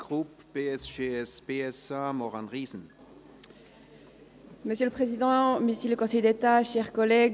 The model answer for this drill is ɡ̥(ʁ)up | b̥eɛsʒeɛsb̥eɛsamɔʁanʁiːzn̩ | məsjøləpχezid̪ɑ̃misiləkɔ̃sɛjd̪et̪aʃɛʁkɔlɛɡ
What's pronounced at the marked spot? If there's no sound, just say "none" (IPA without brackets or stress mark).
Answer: ʁ